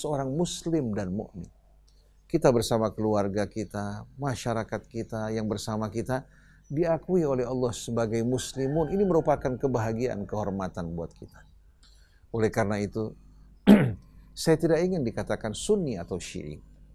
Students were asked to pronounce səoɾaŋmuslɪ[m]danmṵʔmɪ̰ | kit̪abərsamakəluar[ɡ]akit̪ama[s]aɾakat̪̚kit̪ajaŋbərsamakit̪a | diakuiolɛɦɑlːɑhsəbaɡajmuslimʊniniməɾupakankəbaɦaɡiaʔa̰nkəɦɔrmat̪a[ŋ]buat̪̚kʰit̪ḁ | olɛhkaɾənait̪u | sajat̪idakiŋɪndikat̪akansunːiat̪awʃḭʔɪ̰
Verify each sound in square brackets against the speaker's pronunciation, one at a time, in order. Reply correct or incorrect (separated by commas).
correct, correct, incorrect, incorrect